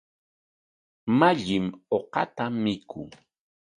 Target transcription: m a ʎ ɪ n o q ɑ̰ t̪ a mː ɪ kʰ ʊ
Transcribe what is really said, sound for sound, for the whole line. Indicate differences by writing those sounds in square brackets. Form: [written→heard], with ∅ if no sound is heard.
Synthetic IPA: m a ʎ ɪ [n→m] o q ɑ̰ t̪ a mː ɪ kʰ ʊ